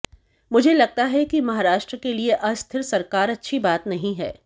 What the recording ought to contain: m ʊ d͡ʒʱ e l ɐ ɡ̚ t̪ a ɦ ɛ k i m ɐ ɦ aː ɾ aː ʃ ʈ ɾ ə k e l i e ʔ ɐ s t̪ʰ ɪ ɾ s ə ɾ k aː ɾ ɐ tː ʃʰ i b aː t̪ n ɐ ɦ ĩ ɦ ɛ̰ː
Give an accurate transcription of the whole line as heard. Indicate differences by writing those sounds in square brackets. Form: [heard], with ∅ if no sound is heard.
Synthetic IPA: m ʊ d͡ʒʱ e l ɐ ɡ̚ t̪ a ɦ ɛ k i m ɐ ɦ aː ɾ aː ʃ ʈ ɾ ə k e l i e ʔ ɐ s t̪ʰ ɪ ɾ s [ɐ] ɾ k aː ɾ ɐ tː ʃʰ i b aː t̪ n ɐ ɦ ĩ ɦ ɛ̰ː